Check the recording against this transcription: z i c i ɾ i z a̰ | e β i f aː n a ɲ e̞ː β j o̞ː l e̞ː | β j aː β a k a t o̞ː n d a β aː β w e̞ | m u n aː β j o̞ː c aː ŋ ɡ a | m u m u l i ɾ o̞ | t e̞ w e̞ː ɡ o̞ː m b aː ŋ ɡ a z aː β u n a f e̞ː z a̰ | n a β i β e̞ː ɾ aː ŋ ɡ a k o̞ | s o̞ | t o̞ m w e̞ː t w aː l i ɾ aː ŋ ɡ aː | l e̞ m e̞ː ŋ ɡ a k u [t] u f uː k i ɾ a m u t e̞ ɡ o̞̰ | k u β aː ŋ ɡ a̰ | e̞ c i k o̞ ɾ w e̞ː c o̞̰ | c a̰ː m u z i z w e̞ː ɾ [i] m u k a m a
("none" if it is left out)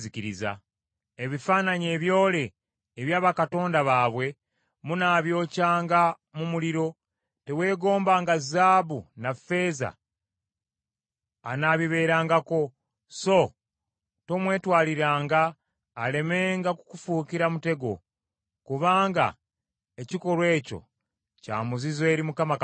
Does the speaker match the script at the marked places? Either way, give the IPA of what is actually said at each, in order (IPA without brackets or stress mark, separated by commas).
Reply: k, i